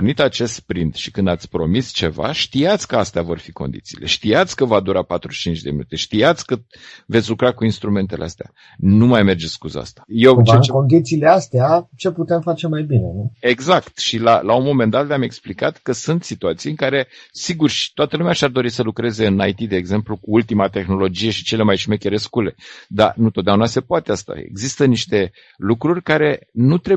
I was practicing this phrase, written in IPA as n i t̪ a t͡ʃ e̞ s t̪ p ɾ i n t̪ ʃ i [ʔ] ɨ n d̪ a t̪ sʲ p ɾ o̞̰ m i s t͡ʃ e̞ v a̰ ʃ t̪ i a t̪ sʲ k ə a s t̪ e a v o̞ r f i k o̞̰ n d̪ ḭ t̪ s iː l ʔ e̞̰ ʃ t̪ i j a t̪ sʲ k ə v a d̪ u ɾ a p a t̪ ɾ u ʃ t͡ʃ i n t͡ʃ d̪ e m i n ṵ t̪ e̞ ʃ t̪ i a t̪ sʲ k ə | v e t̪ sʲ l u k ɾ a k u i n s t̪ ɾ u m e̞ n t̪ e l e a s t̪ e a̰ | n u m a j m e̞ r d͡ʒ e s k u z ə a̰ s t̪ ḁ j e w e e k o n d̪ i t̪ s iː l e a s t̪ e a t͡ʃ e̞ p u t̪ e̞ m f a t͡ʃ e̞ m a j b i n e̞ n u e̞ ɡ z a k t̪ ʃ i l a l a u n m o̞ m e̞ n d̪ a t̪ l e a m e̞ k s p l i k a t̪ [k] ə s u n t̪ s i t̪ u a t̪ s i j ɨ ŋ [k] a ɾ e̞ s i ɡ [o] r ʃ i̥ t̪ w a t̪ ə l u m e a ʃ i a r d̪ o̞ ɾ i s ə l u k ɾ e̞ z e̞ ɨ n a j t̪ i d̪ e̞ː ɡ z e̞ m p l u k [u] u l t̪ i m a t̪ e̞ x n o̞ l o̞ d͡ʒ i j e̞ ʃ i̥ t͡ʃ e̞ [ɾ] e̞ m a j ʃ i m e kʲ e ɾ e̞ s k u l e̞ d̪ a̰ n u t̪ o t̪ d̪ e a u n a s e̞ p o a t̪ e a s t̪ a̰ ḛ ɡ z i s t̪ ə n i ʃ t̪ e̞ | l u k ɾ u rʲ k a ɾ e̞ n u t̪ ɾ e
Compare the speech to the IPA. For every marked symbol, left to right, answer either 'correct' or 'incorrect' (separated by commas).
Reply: incorrect, correct, correct, incorrect, correct, incorrect